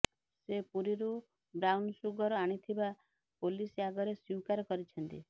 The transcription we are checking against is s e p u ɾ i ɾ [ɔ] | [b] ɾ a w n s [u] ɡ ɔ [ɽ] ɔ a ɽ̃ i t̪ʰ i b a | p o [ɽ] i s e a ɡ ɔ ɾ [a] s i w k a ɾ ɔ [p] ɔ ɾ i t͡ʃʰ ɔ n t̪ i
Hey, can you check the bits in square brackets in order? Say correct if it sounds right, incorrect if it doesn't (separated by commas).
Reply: incorrect, correct, correct, incorrect, incorrect, incorrect, incorrect